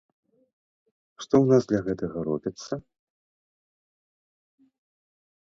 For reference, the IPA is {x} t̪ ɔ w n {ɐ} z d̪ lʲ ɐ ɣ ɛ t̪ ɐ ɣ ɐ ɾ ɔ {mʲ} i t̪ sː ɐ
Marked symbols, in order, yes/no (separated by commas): no, no, no